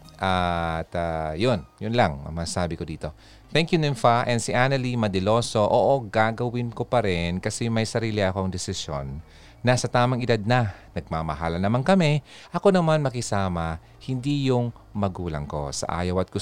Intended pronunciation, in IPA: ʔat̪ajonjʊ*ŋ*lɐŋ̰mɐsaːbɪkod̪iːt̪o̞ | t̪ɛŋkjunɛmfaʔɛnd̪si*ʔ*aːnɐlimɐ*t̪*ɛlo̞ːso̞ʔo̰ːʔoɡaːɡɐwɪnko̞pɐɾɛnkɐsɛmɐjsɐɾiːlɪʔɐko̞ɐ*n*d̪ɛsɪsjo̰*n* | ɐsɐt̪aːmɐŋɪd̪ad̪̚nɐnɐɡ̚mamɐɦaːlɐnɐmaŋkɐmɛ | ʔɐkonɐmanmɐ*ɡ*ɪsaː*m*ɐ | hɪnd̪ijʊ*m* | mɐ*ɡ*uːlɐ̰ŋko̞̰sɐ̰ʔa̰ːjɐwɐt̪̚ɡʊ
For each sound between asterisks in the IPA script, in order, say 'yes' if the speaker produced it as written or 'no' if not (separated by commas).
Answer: no, yes, no, no, no, no, yes, no, yes